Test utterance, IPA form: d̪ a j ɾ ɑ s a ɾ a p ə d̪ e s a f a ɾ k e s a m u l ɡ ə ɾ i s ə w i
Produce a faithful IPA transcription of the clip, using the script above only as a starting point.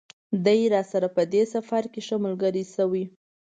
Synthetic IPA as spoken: d̪ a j ɾ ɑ s a ɾ a p ə d̪ e s a f a ɾ k e ʃ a m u l ɡ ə ɾ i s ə w i

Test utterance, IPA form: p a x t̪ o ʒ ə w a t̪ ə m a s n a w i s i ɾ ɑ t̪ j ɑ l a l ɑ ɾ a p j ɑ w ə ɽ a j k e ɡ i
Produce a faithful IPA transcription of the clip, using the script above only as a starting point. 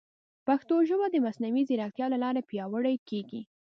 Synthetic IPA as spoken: p a x t̪ o ʒ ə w a d̪ ə m a s n a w i z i ɾ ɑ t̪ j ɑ l a l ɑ ɾ a p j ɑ w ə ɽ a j k e ɡ i

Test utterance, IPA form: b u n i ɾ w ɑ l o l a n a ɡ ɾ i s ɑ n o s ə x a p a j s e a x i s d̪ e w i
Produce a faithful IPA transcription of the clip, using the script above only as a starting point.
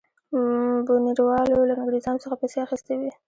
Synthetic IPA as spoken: b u n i ɾ w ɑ l o l a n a ɡ ɾ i z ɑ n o s ə x a p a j s e a x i s t̪ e w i

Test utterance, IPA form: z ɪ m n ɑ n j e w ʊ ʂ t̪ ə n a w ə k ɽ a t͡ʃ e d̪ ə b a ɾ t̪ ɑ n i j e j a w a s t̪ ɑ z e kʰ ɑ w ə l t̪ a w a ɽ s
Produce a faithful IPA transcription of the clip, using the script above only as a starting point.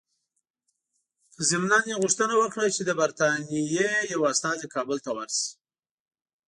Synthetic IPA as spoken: z ɪ m n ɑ n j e ɣ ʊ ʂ t̪ ə n a w ə k ɽ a t͡ʃ e d̪ ə b a ɾ t̪ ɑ n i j e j a w a s t̪ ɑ z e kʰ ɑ b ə l t̪ a w a ɾ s

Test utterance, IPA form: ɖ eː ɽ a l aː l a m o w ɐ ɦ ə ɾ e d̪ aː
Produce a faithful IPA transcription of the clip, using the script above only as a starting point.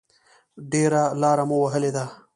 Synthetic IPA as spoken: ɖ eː ɾ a l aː ɾ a m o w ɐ ɦ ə l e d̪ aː

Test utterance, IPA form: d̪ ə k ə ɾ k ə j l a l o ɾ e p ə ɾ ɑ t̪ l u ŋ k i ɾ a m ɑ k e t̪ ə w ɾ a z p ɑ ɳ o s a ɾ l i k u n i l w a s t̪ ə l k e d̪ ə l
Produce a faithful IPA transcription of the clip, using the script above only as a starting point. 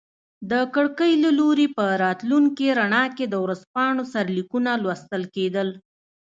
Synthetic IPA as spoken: d̪ ə k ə ɽ k ə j l a l o ɾ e p ə ɾ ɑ t̪ l u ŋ k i ɾ a ɳ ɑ k e d̪ ə w ɾ a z p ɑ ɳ o s a ɾ l i k u n a l w a s t̪ ə l k e d̪ ə l

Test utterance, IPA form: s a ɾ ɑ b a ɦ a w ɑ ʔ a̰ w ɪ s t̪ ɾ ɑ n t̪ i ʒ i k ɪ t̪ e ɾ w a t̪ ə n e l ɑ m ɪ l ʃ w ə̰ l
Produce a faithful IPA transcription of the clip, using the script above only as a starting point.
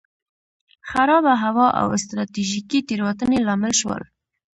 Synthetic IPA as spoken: x a ɾ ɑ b a ɦ a w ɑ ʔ a̰ w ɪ s t̪ ɾ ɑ t̪ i ʒ i k i t̪ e ɾ w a t̪ ə n e l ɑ m ɪ l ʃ w ə̰ l

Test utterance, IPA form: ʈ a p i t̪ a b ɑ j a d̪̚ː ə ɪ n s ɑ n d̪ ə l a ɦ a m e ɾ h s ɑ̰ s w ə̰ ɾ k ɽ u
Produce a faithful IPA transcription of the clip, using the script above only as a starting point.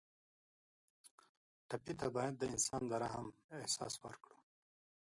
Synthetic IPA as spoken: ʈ a p i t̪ a b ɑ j a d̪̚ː ə ɪ n s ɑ n d̪ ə ɾ a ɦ a m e h s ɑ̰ s w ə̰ ɾ k ɽ u

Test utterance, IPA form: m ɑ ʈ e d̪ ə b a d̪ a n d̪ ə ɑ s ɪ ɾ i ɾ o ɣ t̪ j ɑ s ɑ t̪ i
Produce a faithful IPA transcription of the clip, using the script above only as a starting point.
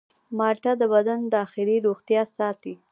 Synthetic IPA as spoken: m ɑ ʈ a d̪ ə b a d̪ a n d̪ ə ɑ x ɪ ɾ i ɾ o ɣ t̪ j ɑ s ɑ t̪ i

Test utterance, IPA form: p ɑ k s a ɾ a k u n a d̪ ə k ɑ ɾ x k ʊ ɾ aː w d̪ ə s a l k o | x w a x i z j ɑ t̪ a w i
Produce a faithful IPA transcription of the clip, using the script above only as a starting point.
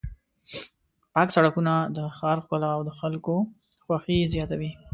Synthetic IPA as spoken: p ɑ k s a ɽ a k u n a d̪ ə x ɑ ɾ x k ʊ l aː w d̪ ə x a l k o | x w a x i z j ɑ t̪ a w i

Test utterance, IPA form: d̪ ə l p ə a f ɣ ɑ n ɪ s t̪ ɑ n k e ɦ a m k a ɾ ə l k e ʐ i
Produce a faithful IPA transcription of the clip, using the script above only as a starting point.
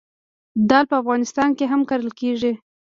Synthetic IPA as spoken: d̪ ɑ l p ə a f ɣ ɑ n ɪ s t̪ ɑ n k e ɦ a m k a ɾ ə l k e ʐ i

